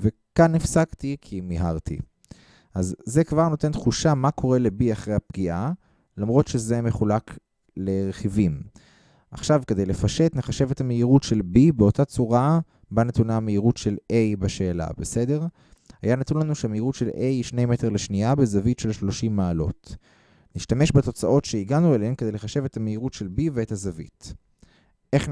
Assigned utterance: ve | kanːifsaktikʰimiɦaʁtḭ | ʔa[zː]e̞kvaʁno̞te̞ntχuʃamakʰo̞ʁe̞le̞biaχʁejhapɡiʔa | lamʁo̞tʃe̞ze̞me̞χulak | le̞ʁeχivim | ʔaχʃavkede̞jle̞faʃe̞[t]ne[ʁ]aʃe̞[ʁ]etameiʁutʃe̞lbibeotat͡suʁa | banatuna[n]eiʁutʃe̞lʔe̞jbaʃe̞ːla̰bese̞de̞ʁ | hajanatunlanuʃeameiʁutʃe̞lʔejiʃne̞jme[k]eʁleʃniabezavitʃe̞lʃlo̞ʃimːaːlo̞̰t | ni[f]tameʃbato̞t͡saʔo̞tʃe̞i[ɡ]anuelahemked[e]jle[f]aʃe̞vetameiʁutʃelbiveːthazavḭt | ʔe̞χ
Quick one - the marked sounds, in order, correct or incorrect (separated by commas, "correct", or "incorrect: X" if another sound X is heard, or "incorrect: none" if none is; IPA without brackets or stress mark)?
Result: correct, correct, incorrect: χ, incorrect: v, incorrect: m, incorrect: t, incorrect: ʃ, correct, correct, incorrect: χ